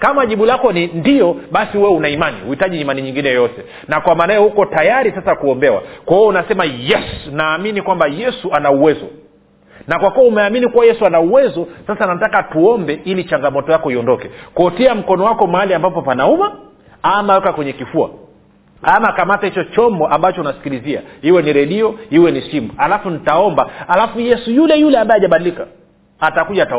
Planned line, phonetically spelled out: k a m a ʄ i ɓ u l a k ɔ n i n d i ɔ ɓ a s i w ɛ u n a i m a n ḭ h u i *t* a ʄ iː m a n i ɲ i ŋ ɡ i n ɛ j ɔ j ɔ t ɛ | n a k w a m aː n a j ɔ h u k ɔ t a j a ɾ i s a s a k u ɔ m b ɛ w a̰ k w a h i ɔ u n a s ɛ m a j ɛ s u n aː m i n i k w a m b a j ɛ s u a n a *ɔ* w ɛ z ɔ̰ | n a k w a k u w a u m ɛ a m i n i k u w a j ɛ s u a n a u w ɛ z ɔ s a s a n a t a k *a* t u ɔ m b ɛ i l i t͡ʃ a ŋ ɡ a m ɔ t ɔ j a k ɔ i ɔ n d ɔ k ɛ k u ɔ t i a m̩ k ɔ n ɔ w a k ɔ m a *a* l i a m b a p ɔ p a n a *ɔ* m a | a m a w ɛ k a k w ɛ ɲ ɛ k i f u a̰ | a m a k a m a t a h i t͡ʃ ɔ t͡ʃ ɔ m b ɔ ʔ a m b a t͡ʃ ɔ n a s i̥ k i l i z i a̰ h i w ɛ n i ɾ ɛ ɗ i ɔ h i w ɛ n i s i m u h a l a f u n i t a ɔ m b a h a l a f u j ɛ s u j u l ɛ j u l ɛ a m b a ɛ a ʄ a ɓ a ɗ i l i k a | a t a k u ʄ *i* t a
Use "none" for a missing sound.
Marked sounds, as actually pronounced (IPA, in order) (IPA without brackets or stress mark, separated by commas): t, u, a, a, u, a